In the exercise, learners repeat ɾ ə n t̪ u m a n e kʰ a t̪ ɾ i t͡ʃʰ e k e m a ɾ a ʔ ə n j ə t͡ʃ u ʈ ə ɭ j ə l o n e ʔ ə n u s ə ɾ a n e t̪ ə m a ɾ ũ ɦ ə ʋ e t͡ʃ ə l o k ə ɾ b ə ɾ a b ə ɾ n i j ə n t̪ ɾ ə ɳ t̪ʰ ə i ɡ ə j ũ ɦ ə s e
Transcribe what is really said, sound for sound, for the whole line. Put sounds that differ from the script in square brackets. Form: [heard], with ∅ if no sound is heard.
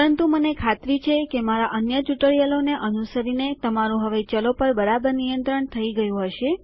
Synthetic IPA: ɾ ə n t̪ u m [ə] n e kʰ a t̪ ɾ i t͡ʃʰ e k e m a ɾ a ʔ ə n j ə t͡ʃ u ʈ ə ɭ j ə l o n e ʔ ə n u s ə ɾ [i] n e t̪ ə m a ɾ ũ ɦ ə ʋ e t͡ʃ ə l o [p] ə ɾ b ə ɾ a b ə ɾ n i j ə n t̪ ɾ ə ɳ t̪ʰ ə i ɡ ə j ũ ɦ ə [ʃ] e